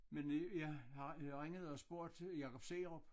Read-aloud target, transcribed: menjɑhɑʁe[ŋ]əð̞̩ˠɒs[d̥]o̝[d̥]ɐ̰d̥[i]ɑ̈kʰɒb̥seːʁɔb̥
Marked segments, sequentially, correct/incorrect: correct, incorrect: b̥, incorrect: none, incorrect: j

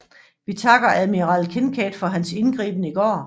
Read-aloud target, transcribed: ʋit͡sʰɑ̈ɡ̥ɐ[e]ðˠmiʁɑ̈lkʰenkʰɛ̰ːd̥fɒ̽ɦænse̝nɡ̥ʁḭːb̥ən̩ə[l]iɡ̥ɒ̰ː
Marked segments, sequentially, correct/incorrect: incorrect: æ, incorrect: none

